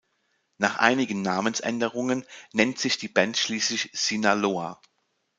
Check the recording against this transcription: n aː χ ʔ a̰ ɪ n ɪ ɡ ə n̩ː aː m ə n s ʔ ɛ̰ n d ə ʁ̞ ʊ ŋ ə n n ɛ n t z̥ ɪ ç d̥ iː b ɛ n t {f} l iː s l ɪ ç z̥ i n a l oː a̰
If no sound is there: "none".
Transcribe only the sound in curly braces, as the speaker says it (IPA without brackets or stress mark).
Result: ʃ